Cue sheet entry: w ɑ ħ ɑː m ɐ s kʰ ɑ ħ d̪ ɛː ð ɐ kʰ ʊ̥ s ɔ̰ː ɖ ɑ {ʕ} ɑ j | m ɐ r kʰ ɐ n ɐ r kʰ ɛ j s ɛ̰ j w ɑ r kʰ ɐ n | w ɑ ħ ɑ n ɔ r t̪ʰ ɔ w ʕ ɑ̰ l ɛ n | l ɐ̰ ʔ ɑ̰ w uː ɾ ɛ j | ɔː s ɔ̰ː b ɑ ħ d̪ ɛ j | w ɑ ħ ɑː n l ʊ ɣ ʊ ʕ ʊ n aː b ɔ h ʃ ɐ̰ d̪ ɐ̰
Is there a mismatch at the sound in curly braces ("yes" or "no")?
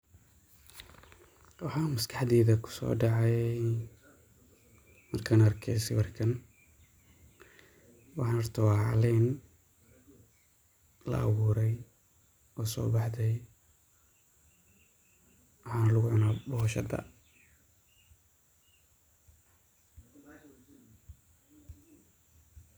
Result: no